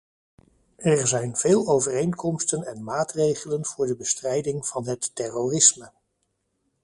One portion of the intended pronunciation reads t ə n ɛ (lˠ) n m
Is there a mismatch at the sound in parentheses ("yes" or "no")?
yes